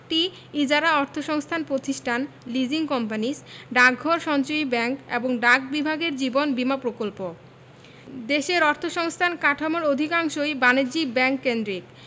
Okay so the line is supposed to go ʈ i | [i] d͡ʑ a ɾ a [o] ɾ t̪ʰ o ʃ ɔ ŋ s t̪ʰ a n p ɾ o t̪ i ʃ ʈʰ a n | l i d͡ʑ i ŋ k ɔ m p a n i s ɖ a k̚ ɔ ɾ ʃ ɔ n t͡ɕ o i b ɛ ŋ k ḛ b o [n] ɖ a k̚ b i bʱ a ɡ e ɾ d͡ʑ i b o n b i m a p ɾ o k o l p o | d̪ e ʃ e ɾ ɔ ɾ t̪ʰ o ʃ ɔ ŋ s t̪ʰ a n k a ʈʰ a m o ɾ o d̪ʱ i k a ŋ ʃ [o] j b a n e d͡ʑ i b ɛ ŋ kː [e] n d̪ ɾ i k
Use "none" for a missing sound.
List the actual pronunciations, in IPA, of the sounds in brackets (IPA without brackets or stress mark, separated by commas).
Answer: i, ɔ, ŋ, o, e